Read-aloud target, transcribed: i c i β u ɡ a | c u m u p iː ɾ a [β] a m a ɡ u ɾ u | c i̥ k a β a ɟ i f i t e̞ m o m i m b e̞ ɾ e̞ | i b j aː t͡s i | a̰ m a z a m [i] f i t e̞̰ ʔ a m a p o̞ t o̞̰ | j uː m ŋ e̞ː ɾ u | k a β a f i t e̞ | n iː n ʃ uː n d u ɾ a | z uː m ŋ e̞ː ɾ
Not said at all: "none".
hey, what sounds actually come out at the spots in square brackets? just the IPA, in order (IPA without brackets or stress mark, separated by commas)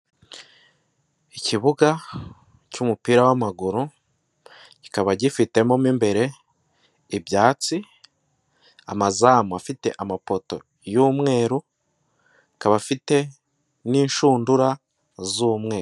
w, a